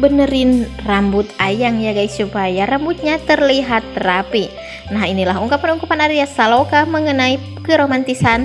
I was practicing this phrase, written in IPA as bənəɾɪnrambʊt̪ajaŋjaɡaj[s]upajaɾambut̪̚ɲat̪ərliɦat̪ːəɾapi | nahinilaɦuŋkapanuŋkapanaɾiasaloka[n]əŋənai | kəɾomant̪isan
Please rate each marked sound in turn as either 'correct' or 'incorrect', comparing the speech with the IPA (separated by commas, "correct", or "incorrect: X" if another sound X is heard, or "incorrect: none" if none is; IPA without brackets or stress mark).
correct, incorrect: m